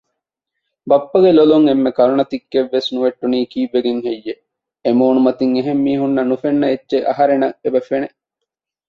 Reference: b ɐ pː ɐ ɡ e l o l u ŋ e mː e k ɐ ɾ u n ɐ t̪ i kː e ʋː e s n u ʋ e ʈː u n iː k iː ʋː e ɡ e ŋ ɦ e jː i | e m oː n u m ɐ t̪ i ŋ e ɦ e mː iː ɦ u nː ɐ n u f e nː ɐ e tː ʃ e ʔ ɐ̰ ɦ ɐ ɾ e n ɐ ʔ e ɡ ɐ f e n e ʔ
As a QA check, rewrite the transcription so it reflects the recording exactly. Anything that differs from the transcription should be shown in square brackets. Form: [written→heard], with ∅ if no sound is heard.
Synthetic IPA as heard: b ɐ pː ɐ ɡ e l o l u ŋ e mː e k ɐ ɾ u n ɐ t̪ i kː e ʋː e s n u ʋ e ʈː u n iː k iː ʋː e ɡ e ŋ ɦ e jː [i→e] | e m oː n u m ɐ t̪ i ŋ e ɦ e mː iː ɦ u nː ɐ n u f e nː ɐ e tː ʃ e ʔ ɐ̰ ɦ ɐ ɾ e n ɐ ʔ e [ɡ→b] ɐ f e n e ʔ